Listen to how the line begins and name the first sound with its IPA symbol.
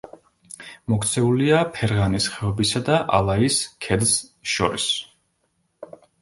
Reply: m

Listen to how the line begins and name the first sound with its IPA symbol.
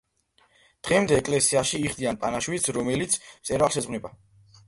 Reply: d̪̥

